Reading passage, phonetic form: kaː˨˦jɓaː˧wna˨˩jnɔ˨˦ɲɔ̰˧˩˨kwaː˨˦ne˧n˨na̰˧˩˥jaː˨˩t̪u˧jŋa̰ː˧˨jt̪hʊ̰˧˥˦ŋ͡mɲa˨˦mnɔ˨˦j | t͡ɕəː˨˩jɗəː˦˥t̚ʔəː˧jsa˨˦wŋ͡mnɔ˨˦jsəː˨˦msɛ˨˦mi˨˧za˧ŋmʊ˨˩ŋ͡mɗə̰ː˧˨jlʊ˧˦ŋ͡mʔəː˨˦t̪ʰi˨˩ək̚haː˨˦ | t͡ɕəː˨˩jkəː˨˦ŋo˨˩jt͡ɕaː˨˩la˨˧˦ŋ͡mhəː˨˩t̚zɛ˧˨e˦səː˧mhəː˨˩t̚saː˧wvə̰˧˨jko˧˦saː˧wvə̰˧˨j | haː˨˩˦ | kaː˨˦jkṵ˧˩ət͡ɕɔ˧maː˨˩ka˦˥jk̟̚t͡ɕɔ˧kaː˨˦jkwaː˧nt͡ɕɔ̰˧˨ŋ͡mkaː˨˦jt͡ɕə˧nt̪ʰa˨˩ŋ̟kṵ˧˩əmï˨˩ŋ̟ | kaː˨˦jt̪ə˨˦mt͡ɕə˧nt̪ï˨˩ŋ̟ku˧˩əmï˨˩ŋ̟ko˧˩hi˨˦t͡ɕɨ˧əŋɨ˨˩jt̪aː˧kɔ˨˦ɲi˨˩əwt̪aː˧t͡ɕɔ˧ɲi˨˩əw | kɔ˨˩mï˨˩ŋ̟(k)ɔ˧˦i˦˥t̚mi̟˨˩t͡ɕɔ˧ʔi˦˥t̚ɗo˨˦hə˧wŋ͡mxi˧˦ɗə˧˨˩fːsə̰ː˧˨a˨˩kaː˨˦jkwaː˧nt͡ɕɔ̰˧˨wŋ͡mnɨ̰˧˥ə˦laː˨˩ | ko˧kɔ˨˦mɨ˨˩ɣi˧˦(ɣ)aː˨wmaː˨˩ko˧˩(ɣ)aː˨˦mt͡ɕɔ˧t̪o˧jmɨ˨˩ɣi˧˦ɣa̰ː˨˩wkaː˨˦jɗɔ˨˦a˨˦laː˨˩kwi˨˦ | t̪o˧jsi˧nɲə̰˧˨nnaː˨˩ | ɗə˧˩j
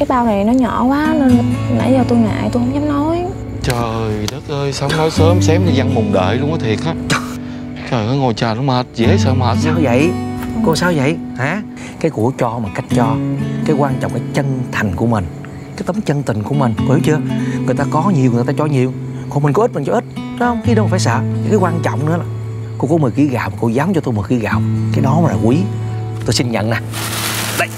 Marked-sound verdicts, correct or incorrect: correct, correct, incorrect: z

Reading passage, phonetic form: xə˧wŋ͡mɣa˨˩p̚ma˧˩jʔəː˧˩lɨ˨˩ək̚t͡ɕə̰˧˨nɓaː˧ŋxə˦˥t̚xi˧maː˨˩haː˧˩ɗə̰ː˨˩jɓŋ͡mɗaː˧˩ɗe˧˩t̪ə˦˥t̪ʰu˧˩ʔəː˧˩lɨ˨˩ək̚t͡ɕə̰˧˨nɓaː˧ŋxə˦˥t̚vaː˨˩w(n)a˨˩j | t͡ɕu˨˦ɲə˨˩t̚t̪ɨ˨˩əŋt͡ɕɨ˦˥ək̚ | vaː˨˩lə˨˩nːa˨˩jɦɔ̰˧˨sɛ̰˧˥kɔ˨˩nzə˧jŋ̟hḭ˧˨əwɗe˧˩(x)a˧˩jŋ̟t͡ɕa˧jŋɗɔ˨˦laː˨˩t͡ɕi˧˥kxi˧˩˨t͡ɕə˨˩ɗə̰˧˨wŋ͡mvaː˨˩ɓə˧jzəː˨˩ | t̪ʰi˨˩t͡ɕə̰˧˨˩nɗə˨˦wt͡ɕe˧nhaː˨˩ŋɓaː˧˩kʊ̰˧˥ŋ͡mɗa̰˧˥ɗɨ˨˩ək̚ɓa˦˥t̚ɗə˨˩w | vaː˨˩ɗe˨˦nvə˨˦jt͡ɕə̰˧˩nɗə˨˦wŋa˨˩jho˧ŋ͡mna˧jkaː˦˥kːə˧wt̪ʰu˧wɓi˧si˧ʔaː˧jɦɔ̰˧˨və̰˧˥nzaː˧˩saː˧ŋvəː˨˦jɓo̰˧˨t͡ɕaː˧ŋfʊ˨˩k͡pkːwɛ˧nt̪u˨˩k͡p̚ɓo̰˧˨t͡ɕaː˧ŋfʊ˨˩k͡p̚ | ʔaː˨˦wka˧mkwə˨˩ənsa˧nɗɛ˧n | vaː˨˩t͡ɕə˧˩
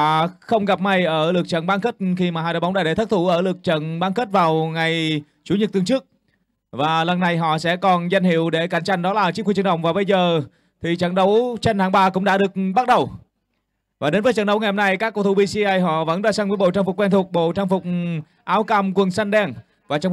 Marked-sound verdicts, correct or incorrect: incorrect: ŋ, incorrect: k

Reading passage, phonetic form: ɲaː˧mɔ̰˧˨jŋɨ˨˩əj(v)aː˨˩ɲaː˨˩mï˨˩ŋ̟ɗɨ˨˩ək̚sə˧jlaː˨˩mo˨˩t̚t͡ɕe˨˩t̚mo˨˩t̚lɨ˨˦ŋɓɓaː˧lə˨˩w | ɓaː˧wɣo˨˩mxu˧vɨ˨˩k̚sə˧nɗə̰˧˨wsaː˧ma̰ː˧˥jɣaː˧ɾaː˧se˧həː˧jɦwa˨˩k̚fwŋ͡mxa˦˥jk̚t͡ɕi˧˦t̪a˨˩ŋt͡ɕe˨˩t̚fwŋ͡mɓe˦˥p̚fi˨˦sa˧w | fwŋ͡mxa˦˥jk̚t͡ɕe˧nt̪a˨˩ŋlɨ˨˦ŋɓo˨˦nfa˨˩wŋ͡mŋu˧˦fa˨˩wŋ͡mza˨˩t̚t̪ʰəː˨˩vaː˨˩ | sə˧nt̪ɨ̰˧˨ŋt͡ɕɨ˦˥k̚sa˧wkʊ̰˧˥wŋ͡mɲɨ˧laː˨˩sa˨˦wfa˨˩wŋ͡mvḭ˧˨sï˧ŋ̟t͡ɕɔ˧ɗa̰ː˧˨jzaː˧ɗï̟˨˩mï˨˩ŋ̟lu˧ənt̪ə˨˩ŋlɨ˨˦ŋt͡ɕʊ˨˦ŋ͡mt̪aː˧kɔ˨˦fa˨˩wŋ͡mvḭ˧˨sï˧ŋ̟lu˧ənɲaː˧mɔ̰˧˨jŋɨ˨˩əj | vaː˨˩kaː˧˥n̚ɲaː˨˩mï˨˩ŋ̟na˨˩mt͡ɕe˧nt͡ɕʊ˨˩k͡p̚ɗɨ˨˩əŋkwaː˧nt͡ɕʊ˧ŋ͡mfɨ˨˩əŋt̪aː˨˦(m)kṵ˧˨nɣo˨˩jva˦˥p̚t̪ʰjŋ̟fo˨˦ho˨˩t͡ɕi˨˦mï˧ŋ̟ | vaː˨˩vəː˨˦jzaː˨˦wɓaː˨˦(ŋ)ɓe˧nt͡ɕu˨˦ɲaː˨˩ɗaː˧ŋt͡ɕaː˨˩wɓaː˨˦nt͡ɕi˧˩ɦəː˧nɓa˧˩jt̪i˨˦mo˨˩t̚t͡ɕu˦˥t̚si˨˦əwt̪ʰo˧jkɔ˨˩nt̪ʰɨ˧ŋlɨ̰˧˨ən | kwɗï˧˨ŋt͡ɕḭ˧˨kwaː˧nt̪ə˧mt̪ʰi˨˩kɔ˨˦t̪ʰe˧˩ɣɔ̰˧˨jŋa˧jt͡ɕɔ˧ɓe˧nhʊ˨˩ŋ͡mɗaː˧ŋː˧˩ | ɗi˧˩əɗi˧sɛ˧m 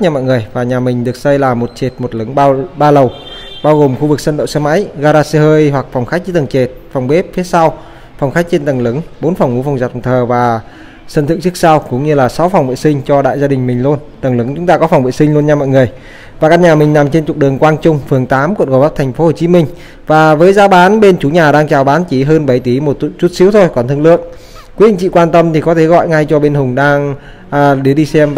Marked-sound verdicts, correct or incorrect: correct, correct, incorrect: n

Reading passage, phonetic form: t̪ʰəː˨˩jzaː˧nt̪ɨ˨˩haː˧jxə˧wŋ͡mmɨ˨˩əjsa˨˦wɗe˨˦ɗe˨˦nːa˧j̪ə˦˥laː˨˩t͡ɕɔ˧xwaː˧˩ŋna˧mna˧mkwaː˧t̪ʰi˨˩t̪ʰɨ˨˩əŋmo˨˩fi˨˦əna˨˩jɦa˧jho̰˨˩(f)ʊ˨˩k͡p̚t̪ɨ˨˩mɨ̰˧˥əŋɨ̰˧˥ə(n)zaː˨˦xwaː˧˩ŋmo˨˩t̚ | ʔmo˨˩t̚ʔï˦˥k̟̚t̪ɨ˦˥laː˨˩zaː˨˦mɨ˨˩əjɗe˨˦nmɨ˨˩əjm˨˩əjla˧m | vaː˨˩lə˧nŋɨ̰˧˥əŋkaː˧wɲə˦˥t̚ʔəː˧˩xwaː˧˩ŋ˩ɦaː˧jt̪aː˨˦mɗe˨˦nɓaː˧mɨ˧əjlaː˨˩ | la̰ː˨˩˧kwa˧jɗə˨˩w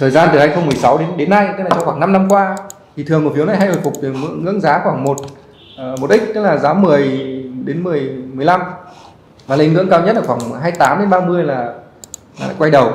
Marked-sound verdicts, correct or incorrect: correct, incorrect: ŋ

